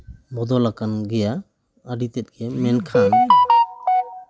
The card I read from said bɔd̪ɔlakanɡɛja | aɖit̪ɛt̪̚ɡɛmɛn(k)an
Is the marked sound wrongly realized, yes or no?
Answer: yes